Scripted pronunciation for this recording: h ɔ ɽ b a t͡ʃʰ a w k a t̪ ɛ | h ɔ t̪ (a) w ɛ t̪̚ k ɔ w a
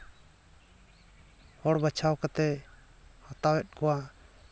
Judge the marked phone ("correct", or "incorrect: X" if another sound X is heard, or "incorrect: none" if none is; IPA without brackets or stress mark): correct